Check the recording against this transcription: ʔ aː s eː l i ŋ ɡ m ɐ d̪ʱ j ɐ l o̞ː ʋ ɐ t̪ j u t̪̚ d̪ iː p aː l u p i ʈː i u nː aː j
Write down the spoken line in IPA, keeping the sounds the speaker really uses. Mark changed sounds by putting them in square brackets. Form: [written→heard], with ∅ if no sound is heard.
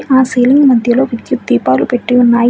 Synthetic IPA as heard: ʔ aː s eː l i ŋ ɡ m ɐ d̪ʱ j ɐ l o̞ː ʋ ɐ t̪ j u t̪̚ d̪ iː p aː l u p [i→e] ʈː i u nː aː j